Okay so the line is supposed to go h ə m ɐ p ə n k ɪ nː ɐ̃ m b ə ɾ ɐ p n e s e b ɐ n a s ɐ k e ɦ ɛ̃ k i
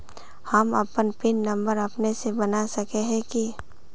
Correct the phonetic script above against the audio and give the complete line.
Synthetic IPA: h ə m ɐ p ə n p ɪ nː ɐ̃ m b ə ɾ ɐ p n e s e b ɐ n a s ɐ k e ɦ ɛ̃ k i

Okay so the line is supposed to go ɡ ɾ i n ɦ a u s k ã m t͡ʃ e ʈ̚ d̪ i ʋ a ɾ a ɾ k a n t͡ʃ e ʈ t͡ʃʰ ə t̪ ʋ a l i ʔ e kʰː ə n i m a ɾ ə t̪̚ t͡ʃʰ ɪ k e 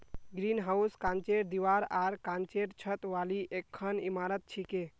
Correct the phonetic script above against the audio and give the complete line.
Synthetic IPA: ɡ ɾ i n ɦ a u s k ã n t͡ʃ e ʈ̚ d̪ i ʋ a ɾ a ɾ k a n t͡ʃ e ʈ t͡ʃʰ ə t̪ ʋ a l i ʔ e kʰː ə n i m a ɾ ə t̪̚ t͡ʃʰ i k e

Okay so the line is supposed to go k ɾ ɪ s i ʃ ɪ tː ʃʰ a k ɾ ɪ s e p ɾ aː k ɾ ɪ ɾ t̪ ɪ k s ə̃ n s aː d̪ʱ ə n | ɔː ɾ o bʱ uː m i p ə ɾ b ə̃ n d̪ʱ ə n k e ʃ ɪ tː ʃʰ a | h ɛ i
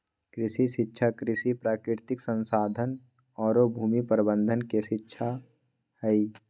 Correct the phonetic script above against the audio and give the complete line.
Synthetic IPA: k ɾ ɪ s i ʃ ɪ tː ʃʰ a k ɾ ɪ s i p ɾ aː k ɾ ɪ ɾ t̪ ɪ k s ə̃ n s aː d̪ʱ ə n | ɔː ɾ o bʱ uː m i p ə ɾ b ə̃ n d̪ʱ ə n k e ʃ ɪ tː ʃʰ a | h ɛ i

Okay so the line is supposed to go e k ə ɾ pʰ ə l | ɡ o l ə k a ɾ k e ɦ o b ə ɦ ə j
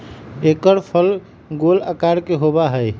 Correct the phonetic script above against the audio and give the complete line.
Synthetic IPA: e k ə ɾ pʰ ə l | ɡ o l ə k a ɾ k e ɦ o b a ɦ ə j

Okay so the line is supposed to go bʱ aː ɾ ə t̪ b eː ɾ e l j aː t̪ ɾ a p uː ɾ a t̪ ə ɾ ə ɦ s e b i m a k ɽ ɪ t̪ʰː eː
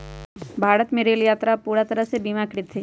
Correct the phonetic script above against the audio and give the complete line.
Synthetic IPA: bʱ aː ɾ ə t̪ m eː ɾ e l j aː t̪ ɾ a p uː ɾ a t̪ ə ɾ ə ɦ s e b i m a k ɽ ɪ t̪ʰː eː

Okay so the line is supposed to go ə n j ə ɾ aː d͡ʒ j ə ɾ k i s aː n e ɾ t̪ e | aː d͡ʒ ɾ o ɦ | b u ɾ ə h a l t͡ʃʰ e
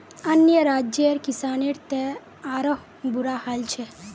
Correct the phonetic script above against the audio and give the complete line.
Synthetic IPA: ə n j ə ɾ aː d͡ʒ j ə ɾ k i s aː n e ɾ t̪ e | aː ɾ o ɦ | b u ɾ a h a l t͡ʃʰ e

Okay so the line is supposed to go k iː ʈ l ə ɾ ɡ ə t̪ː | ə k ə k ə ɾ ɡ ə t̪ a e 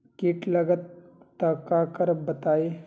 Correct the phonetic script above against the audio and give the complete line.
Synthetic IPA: k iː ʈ l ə ɡ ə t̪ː | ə k a k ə ɾ b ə t̪ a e

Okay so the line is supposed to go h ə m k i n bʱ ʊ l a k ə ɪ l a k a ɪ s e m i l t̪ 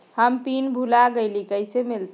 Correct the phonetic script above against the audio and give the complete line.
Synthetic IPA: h ə m p i n bʱ u l a ɡ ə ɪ l i k ə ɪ s e m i l t̪

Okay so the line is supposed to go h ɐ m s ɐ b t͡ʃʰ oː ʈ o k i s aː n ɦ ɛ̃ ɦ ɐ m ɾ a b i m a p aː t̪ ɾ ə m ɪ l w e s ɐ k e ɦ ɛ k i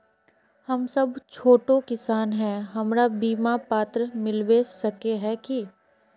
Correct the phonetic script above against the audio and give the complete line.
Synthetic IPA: h ɐ m s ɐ b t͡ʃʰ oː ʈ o k ɪ s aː n ɦ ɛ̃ ɦ ɐ m ɾ a b iː m a p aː t̪ ɾ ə m ɪ l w e s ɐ k e ɦ ɛ k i

